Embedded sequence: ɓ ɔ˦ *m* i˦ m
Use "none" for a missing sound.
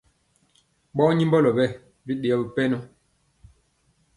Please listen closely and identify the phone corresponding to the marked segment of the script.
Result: ɲ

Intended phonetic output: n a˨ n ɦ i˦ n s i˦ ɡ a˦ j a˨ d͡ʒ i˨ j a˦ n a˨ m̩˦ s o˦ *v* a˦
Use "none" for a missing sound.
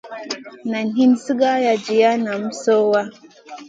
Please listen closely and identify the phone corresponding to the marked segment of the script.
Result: w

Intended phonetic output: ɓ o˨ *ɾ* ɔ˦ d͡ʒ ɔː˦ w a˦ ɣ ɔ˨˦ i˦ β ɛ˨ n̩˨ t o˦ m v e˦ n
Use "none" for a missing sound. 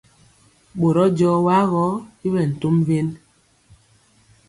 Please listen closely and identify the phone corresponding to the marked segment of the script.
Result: ɾ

